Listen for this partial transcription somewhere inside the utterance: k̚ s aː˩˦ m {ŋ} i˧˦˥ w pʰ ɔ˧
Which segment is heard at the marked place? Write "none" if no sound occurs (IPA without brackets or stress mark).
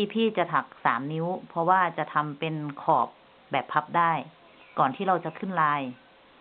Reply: n